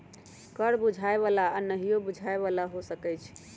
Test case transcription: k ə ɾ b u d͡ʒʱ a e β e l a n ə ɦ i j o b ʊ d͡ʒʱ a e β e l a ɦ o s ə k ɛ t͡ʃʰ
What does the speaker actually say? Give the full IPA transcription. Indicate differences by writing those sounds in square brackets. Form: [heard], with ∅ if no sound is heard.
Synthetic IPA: k ə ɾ b u d͡ʒʱ a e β [a] l a n ə ɦ i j o b [u] d͡ʒʱ a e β [a] l a ɦ o s ə k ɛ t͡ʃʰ